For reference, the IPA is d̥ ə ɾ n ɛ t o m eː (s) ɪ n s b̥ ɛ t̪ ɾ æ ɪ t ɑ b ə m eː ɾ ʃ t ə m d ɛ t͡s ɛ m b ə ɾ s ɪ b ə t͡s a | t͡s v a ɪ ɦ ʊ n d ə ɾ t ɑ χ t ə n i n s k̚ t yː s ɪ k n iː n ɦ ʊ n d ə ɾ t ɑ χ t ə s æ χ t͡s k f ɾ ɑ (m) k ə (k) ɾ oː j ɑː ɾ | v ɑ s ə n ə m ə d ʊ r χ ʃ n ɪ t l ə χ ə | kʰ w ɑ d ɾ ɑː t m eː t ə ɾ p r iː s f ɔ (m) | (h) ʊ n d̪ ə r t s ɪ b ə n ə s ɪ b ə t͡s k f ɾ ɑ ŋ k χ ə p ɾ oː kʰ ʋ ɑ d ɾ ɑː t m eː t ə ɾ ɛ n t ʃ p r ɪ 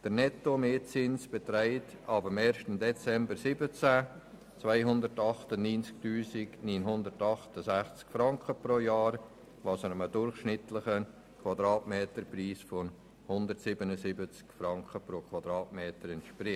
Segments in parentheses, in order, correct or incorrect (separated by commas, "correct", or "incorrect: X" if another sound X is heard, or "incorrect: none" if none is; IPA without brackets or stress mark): incorrect: t͡s, incorrect: ŋ, incorrect: p, incorrect: n, correct